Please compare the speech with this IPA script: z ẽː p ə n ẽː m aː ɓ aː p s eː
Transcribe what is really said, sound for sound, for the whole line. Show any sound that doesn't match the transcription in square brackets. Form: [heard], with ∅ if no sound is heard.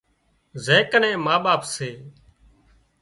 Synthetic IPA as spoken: z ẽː [k] ə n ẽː m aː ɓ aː p s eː